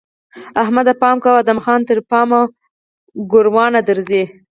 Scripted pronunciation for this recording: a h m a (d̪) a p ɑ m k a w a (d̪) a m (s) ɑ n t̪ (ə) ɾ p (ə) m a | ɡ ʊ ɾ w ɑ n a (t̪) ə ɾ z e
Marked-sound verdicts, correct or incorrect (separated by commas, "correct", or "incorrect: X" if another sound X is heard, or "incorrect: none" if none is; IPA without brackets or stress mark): correct, correct, incorrect: x, correct, incorrect: ɑ, incorrect: d̪